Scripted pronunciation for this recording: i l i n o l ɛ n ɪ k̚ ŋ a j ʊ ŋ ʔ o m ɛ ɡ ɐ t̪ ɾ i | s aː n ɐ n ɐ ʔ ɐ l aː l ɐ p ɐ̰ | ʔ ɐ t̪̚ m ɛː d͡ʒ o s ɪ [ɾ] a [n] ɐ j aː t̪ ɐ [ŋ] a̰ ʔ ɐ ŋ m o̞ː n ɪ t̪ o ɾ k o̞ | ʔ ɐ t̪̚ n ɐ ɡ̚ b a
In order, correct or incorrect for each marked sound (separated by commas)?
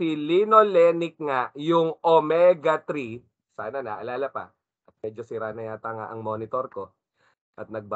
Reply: correct, correct, correct